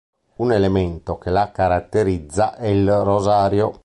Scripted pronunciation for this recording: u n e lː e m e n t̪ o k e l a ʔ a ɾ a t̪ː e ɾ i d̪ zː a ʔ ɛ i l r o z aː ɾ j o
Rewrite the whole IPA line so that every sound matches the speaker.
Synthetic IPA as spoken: u n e l e m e n t̪ o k e l a k a ɾ a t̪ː e ɾ i d̪ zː a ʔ ɛ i l r o z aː ɾ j o